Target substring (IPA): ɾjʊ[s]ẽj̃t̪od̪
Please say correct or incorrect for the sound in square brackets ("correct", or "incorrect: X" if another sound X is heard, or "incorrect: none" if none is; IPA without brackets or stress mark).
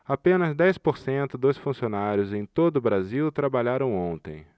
incorrect: z